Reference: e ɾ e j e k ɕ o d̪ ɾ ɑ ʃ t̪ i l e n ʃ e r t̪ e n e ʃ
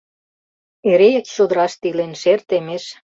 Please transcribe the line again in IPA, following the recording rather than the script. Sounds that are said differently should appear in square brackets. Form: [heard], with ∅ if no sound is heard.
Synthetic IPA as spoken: e ɾ e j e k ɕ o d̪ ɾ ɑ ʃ t̪ i l e n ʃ e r t̪ e [m] e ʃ